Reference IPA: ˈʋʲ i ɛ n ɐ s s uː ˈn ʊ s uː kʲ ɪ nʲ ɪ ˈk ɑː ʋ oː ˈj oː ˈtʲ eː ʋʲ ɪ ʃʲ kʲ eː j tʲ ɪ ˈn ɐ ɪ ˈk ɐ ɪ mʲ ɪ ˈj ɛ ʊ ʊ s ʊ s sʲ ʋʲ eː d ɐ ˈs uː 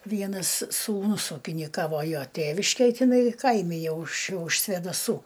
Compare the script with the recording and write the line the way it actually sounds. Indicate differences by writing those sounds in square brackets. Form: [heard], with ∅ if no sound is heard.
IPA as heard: ˈʋʲ i ɛ n ɐ s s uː ˈn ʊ s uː kʲ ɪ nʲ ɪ ˈk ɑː ʋ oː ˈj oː ˈtʲ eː ʋʲ ɪ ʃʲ kʲ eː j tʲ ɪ ˈn ɐ ɪ ˈk ɐ ɪ mʲ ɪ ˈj ɛ ʊ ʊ [ʃ] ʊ [ʃ] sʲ ʋʲ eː d ɐ ˈs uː